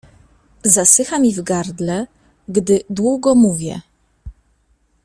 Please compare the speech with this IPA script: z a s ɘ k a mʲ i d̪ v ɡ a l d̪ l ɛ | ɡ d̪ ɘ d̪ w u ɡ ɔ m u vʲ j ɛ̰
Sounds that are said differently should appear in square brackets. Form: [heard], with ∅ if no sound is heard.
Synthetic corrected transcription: z a s ɘ [x] a mʲ i [∅] v ɡ a [ɾ] d̪ l ɛ | ɡ d̪ ɘ d̪ w u ɡ ɔ m u vʲ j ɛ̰